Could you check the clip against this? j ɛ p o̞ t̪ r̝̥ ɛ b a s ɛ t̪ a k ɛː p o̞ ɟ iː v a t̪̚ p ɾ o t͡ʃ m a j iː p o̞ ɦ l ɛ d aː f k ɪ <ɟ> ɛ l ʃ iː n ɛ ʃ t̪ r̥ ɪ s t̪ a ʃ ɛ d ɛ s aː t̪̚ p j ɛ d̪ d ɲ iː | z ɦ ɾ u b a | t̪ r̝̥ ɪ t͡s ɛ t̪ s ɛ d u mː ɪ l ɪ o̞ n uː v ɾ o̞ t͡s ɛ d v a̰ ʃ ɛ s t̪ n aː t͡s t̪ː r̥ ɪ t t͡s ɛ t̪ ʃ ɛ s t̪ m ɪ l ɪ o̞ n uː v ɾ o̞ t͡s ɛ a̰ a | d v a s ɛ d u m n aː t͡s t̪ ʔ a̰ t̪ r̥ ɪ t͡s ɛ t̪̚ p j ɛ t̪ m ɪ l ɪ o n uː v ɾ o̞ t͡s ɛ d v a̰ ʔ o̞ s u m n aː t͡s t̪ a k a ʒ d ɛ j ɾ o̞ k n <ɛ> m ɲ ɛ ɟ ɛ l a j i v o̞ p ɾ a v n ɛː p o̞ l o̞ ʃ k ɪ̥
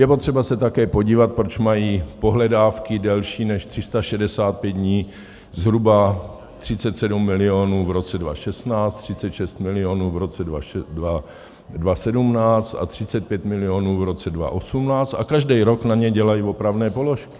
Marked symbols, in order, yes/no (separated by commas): no, no